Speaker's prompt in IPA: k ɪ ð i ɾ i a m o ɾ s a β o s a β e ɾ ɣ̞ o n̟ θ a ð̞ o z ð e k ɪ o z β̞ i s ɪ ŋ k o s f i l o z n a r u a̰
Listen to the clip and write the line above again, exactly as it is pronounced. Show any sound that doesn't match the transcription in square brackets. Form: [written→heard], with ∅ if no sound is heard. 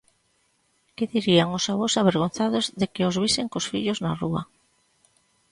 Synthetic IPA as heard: k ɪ ð i ɾ i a [m→ŋ] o [ɾ→∅] s a β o s a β e ɾ ɣ̞ o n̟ θ a ð̞ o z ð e k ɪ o z β̞ i s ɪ ŋ k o s f i [l→ʎ] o z n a r u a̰